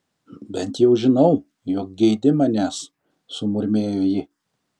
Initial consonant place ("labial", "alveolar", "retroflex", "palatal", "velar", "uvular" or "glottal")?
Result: labial